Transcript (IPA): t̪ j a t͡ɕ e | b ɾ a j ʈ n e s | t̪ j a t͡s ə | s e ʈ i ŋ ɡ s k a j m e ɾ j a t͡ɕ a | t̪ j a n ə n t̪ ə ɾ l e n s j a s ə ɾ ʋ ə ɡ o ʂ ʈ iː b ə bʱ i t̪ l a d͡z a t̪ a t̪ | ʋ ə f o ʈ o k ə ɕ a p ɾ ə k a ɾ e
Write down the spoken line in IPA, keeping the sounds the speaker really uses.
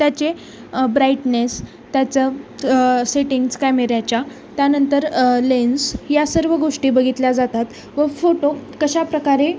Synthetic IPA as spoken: t̪ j a t͡ɕ e | b ɾ a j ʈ n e s | t̪ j a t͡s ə | s e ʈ i ŋ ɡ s k a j m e ɾ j a t͡ɕ a | t̪ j a n ə n t̪ ə ɾ l e n s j a s ə ɾ ʋ ə ɡ o ʂ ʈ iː b ə ɡʱ i t̪ l a d͡z a t̪ a t̪ | ʋ ə f o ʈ o k ə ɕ a p ɾ ə k a ɾ e